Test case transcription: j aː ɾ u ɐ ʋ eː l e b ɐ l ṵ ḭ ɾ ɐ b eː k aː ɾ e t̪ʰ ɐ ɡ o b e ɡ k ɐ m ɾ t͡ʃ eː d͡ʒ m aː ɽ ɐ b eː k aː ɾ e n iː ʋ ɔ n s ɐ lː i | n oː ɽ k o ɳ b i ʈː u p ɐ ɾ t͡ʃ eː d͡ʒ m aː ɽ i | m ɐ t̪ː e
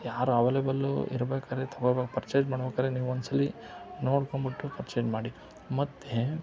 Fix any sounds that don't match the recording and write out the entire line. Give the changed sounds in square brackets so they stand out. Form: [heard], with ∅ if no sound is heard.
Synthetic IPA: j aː ɾ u ɐ ʋ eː l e b ɐ l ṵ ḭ ɾ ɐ b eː k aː ɾ e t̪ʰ ɐ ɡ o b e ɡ [p] ɐ [∅] ɾ t͡ʃ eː d͡ʒ m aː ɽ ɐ b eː k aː ɾ e n iː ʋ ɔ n s ɐ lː i | n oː ɽ k o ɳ b i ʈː u p ɐ ɾ t͡ʃ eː d͡ʒ m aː ɽ i | m ɐ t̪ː e